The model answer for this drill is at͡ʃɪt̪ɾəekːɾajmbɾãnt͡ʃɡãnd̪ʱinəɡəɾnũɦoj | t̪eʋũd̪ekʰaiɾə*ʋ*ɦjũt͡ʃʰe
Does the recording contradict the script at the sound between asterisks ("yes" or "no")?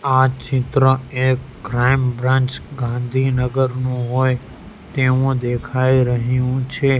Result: yes